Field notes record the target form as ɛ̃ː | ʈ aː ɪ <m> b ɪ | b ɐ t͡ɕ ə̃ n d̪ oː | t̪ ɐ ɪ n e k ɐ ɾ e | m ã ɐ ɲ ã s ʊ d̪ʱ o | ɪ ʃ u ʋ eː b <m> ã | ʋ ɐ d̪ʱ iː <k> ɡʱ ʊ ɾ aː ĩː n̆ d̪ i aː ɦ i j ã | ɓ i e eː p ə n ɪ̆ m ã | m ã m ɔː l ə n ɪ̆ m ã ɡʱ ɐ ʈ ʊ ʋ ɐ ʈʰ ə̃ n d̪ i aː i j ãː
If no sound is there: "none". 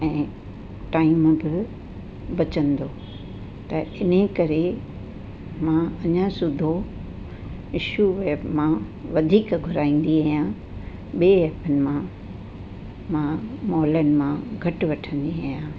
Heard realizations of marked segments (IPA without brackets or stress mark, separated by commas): m, m, k